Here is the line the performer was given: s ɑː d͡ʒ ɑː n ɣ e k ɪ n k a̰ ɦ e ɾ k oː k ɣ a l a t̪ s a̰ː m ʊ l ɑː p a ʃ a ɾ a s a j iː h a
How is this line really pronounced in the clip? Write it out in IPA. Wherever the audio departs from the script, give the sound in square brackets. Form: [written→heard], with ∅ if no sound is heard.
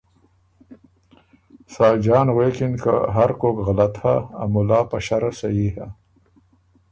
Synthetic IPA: s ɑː d͡ʒ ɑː n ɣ e k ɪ n k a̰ ɦ [e→a] ɾ k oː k ɣ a l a t̪ [s→h] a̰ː m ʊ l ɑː p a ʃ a ɾ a s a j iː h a